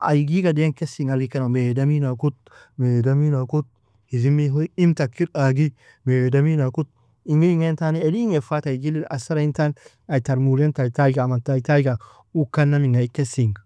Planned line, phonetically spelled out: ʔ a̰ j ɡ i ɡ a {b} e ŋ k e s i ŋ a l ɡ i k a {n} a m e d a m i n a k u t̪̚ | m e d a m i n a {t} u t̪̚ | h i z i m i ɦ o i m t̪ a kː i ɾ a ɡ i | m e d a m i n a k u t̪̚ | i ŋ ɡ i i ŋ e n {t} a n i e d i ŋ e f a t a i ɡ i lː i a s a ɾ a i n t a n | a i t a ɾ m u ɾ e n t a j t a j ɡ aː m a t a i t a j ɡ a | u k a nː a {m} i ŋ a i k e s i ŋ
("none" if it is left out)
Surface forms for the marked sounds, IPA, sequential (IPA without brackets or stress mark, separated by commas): d, n, k, t, m